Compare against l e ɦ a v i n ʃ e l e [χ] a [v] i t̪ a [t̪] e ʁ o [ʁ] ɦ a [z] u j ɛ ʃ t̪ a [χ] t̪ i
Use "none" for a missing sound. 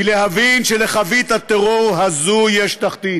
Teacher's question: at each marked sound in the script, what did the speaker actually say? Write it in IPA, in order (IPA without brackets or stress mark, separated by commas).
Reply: χ, v, t̪, ʁ, z, χ